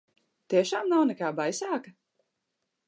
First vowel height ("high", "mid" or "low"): high